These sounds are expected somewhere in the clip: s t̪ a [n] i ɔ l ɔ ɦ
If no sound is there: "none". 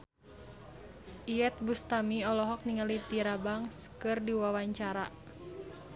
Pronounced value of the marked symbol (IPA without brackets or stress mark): m